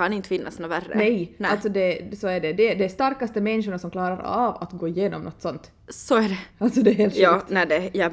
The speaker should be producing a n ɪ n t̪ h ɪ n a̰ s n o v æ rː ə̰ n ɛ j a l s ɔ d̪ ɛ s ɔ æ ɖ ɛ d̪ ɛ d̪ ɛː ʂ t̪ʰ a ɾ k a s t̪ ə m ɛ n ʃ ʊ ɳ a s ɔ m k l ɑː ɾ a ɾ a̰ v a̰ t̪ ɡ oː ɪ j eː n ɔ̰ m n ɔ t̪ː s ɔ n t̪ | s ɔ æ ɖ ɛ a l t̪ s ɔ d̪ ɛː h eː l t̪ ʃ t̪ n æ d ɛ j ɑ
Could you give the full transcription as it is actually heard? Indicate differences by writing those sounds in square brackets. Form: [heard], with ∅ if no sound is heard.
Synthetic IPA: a n ɪ n t̪ [f] ɪ [nː] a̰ s n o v æ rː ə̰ n ɛ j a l s ɔ d̪ ɛ s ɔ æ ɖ ɛ d̪ ɛ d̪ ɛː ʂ [t̪] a ɾ k a s t̪ ə m ɛ n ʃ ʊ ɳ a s ɔ m k l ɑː ɾ a ɾ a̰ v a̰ t̪ ɡ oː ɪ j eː n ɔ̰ m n ɔ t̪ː s ɔ n t̪ | s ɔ æ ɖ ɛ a l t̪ s ɔ d̪ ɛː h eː l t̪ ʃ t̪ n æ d ɛ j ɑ